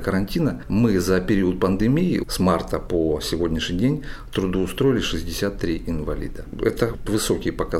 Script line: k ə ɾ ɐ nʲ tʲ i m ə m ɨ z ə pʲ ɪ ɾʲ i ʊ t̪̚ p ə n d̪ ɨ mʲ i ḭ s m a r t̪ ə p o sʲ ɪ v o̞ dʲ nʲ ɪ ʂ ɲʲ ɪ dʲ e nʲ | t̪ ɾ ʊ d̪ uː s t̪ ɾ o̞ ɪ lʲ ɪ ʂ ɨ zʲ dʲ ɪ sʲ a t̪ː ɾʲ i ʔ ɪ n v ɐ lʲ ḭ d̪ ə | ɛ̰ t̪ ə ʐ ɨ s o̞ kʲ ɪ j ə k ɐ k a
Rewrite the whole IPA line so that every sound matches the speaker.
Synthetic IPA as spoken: k ə ɾ ɐ nʲ tʲ i n ə m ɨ z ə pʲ ɪ ɾʲ i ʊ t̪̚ p ə n d̪ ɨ mʲ i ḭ s m a r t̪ ə p o sʲ ɪ v o̞ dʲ nʲ ɪ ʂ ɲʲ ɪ dʲ e nʲ | t̪ ɾ ʊ d̪ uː s t̪ ɾ o̞ ɪ lʲ ɪ ʂ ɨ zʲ dʲ ɪ sʲ a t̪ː ɾʲ i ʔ ɪ n v ɐ lʲ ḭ d̪ ə | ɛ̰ t̪ ə v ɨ s o̞ kʲ ɪ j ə p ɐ k a